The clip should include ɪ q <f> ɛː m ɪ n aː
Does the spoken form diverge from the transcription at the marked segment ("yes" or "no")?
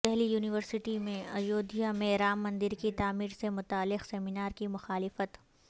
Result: yes